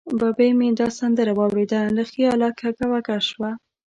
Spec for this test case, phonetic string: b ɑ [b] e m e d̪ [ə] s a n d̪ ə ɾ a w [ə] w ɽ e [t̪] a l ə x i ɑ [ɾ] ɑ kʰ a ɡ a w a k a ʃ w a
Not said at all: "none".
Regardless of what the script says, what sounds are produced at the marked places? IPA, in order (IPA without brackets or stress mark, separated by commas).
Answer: b, ɑ, ɑ, d̪, l